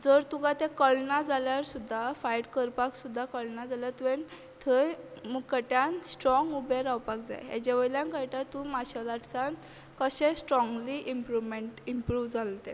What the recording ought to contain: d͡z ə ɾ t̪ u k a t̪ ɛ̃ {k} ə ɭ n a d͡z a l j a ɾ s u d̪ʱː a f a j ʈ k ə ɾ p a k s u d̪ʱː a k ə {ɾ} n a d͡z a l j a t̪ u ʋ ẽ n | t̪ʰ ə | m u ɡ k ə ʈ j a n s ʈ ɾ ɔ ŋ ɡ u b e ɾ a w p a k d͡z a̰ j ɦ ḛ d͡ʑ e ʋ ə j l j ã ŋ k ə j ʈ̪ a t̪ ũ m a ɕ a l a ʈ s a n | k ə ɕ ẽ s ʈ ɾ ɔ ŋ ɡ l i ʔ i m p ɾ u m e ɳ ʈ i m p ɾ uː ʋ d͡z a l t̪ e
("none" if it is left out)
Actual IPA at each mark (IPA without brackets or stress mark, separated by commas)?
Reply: k, ɭ